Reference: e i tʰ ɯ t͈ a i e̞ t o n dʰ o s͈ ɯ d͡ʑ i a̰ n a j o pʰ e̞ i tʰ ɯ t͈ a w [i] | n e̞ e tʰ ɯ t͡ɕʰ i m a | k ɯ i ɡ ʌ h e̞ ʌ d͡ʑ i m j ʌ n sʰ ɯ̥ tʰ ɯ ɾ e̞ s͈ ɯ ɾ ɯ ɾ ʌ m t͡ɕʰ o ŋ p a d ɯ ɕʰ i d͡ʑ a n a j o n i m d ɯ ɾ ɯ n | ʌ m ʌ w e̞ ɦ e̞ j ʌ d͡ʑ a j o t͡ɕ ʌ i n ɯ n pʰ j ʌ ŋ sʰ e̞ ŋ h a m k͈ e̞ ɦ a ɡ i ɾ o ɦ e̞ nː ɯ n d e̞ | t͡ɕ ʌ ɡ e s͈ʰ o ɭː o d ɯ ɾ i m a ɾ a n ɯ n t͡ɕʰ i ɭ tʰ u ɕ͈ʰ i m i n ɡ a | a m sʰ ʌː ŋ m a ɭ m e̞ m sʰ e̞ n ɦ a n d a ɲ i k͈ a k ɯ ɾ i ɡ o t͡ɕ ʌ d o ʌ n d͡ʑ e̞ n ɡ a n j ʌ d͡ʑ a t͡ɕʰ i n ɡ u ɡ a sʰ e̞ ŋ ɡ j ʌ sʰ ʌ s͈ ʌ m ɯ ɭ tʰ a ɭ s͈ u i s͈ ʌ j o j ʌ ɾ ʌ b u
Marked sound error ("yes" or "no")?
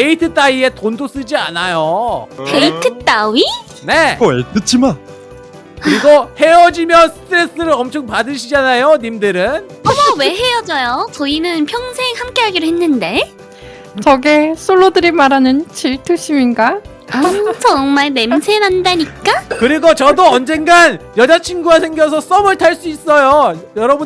no